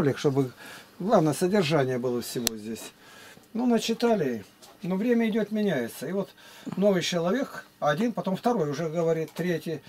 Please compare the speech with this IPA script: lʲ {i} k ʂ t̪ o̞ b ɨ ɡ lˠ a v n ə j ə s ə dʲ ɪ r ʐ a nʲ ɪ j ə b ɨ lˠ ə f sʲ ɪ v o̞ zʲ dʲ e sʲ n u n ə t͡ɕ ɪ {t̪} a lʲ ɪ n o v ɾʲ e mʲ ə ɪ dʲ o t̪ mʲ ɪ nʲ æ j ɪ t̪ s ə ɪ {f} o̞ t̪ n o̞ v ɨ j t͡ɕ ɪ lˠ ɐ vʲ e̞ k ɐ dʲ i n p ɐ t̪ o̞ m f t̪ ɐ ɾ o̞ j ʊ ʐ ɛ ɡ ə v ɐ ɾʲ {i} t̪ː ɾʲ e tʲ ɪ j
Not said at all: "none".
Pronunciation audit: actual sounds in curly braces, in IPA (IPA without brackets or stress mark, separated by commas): ɪ, t̪, v, i